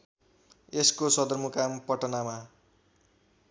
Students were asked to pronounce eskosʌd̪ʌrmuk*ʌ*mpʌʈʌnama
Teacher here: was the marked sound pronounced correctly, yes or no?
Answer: no